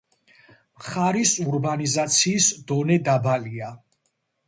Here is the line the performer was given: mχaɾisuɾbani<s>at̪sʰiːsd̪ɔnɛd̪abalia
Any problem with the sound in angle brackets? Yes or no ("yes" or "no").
yes